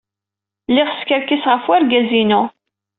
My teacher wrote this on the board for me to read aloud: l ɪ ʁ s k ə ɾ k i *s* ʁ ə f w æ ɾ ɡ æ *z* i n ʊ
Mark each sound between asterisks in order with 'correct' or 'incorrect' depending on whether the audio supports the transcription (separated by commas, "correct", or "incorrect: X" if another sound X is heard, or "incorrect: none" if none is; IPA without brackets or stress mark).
correct, correct